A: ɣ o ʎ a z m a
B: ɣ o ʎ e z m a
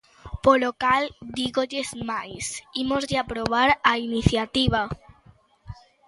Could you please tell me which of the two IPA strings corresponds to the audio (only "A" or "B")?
B